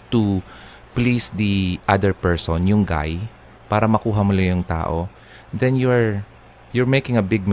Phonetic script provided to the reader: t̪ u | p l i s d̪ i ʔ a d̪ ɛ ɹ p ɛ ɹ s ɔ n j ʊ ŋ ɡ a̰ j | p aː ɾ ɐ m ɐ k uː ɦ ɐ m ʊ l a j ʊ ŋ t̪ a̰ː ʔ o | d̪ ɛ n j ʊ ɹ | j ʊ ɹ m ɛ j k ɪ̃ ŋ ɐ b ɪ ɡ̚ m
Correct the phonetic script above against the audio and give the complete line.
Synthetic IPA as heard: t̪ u | p l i s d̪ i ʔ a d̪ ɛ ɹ p ɛ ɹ s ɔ n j ʊ ŋ ɡ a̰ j | p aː ɾ ɐ m ɐ k uː ɦ ɐ m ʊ l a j ʊ ŋ t̪ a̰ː ʔ o | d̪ ɛ n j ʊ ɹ | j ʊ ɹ m e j k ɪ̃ ŋ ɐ b ɪ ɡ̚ m